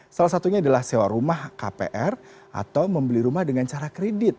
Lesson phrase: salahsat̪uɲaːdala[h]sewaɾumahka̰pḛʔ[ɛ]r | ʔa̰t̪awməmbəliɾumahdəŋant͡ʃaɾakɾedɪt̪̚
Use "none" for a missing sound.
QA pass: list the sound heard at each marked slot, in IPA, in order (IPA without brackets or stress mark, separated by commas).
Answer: h, ɛ